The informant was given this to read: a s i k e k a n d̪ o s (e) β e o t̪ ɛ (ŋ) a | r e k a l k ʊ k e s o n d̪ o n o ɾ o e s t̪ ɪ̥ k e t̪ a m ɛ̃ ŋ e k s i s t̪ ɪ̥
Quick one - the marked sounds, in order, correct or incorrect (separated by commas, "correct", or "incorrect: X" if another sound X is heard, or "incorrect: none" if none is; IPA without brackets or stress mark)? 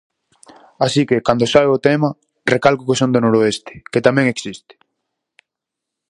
incorrect: a, incorrect: m